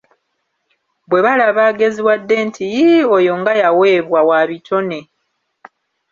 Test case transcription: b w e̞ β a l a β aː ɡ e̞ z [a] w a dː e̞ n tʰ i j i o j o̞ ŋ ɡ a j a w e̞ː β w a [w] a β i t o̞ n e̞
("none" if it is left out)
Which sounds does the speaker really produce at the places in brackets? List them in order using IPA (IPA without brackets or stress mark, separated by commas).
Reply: i, w